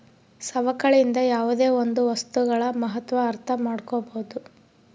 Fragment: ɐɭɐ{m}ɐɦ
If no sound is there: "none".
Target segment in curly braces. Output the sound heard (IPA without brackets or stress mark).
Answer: m